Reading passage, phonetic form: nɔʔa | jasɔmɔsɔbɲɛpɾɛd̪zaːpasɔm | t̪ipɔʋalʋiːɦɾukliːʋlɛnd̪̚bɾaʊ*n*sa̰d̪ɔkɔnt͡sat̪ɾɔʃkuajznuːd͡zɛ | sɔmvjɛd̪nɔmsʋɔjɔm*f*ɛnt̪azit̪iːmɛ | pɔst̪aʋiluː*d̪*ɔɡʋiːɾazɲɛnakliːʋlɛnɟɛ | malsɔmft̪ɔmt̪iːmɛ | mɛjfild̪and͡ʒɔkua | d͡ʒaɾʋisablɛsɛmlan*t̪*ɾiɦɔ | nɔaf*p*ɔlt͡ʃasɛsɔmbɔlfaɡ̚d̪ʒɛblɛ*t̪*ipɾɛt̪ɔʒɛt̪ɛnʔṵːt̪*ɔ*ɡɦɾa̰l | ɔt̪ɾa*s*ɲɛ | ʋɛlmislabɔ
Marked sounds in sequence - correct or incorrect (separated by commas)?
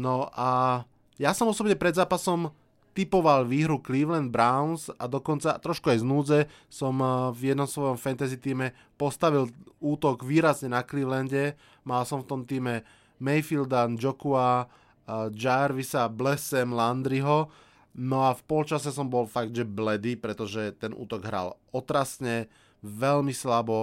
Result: correct, correct, incorrect, incorrect, correct, incorrect, correct, correct